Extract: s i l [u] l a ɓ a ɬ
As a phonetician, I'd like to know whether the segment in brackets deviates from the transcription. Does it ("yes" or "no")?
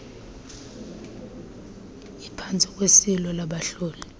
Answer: yes